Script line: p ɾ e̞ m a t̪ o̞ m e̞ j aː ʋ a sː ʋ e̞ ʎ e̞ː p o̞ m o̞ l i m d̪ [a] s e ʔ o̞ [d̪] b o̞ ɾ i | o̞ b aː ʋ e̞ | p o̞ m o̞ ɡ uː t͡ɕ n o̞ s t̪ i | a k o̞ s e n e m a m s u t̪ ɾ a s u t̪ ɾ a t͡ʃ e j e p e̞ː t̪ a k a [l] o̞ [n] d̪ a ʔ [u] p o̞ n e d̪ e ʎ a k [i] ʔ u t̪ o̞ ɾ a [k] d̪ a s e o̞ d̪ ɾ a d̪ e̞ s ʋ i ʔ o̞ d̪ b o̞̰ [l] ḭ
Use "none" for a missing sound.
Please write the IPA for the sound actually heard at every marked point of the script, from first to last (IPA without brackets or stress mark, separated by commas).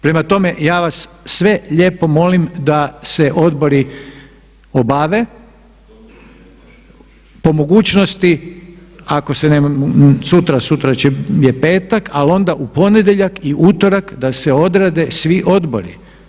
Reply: a, d̪, l, n, u, i, k, ɾ